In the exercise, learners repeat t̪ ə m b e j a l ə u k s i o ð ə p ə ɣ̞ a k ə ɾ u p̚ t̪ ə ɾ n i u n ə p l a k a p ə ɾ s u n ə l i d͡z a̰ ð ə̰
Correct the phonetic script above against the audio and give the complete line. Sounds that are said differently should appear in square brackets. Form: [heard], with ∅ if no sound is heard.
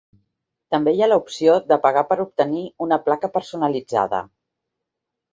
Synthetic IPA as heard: t̪ ə m b e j a l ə u [p] s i o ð ə p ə ɣ̞ a [p] ə ɾ u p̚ t̪ ə [∅] n i u n ə p l a k [ə] p ə ɾ s u n ə l i d͡z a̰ ð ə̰